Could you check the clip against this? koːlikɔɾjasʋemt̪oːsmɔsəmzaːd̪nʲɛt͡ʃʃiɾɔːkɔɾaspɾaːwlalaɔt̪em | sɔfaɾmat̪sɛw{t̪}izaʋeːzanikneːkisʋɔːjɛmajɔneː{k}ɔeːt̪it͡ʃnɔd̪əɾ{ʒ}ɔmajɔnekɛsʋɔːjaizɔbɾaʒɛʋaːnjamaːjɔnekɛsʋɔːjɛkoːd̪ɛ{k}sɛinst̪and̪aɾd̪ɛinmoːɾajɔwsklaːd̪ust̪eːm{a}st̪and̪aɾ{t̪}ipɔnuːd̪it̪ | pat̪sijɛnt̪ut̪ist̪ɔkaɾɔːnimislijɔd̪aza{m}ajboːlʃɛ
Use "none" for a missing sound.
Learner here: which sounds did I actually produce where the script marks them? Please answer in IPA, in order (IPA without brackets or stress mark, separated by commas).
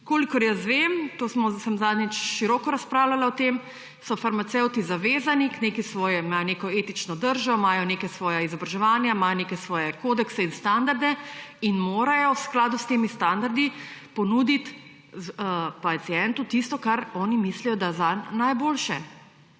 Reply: t̪, k, ʒ, k, i, d̪, n